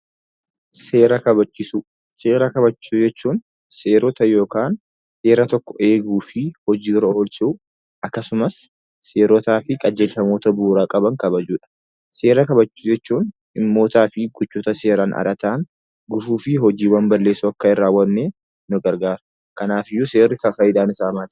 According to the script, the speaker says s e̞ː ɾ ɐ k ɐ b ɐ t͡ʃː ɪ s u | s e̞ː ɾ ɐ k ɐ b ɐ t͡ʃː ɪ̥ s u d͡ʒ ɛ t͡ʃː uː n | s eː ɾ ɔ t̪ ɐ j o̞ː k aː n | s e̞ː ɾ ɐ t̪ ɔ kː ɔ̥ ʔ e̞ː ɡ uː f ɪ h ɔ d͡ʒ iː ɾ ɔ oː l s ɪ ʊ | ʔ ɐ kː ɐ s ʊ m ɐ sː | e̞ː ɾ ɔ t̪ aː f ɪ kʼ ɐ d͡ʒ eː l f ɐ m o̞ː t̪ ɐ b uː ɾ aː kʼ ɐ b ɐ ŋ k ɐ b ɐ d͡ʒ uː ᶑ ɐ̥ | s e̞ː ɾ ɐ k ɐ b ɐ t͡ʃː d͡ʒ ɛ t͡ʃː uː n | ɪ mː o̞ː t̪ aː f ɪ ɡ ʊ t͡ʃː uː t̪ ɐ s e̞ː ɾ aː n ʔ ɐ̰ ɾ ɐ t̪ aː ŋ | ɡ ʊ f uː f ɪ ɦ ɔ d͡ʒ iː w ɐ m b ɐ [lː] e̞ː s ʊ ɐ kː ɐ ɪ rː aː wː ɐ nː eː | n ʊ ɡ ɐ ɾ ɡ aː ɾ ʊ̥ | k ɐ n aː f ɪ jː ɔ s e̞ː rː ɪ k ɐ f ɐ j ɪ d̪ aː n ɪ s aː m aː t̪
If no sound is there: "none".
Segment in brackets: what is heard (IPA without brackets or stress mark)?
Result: lː